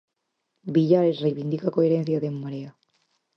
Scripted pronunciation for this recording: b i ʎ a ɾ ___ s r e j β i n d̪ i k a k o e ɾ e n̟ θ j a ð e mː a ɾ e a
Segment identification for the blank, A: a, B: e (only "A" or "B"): B